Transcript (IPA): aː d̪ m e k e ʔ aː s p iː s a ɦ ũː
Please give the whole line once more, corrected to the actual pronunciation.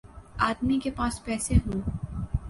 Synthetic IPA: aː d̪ m i k e p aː s p ɛː s e ɦ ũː